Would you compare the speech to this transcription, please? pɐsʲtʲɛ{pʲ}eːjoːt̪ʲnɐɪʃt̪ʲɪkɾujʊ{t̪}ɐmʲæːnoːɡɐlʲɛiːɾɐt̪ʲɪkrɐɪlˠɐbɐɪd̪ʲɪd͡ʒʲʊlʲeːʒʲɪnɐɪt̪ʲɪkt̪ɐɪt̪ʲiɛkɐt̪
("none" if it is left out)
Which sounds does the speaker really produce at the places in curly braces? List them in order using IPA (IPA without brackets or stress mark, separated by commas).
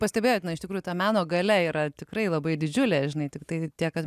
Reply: bʲ, t̪